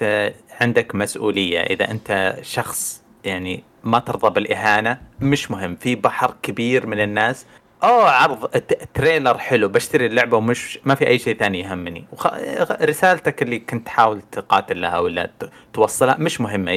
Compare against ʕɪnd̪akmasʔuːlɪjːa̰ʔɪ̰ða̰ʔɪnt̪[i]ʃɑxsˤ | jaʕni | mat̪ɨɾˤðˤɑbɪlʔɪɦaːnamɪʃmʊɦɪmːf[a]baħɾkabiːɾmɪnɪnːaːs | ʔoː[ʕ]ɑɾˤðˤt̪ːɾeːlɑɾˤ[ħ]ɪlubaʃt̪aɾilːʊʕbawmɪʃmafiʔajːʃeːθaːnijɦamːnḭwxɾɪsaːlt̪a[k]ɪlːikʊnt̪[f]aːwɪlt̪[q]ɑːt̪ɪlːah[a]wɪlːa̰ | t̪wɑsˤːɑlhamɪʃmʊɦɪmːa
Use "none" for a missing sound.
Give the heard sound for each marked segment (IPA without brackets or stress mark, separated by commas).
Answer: a, i, ʕ, ħ, k, ħ, q, a